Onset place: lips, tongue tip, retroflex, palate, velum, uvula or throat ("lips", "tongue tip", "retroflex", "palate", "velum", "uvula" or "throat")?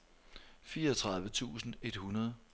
lips